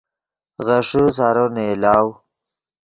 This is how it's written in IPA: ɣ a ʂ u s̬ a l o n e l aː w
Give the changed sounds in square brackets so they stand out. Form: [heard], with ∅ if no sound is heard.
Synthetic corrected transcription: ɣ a ʂ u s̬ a [ɾ] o n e l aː w